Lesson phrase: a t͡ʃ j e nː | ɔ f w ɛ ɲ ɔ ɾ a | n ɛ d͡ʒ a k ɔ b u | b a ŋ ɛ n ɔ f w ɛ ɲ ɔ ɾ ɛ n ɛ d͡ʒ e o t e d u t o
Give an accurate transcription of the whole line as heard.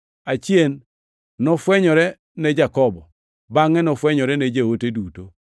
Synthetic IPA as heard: a t͡ʃ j e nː | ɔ f w ɛ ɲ ɔ ɾ ɛ | n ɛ d͡ʒ a k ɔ b ɔ | b a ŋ ɛ n ɔ f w ɛ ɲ ɔ ɾ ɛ n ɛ d͡ʒ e o t e d u t o